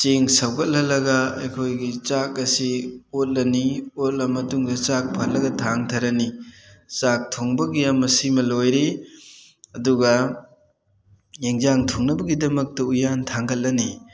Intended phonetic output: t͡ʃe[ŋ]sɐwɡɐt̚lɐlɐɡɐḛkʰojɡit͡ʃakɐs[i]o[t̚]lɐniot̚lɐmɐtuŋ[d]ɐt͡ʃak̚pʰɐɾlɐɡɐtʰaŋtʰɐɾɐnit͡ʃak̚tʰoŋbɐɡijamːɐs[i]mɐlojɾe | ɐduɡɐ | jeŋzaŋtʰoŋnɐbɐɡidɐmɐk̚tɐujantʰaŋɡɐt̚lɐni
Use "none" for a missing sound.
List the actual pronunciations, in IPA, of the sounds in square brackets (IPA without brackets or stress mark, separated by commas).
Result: ŋ, i, t̚, d, i